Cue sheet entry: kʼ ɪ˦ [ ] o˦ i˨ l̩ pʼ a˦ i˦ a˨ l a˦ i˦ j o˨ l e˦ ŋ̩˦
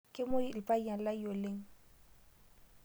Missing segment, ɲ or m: m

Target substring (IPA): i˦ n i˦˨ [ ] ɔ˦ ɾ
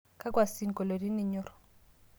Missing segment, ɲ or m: ɲ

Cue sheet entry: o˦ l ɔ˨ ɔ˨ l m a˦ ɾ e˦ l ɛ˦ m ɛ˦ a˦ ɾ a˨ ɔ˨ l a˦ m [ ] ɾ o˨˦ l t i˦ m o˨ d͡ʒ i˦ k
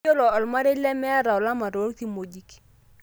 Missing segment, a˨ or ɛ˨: a˨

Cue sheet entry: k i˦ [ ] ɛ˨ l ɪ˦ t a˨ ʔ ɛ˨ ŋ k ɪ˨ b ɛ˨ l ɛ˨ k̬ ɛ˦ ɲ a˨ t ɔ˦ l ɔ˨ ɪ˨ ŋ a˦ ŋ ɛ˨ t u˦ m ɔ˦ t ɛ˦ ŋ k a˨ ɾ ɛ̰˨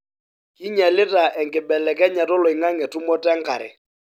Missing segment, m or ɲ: ɲ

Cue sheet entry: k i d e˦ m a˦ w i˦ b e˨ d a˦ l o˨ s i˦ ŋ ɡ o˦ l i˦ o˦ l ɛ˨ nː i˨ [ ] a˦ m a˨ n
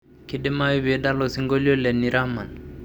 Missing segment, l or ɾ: ɾ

